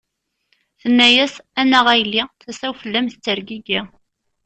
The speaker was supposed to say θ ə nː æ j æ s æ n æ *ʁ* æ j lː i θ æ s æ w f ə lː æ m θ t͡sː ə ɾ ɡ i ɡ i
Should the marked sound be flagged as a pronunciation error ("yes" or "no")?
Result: no